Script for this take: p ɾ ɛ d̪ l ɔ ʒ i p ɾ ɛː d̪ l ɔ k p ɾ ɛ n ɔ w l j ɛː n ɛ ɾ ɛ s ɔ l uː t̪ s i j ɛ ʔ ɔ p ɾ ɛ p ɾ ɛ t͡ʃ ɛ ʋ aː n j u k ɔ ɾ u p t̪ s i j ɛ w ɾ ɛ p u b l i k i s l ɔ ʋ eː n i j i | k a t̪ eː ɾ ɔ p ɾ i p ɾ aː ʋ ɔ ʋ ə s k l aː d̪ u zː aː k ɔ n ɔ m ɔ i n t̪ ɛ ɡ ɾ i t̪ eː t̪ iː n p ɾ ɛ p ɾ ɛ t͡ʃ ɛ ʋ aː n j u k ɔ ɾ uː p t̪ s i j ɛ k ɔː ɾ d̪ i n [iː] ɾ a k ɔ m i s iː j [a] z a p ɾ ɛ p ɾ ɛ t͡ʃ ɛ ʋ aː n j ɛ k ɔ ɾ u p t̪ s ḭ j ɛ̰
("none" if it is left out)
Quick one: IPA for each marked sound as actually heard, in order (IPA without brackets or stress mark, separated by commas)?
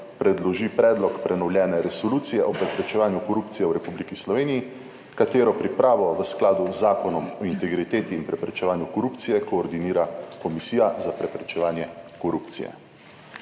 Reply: iː, a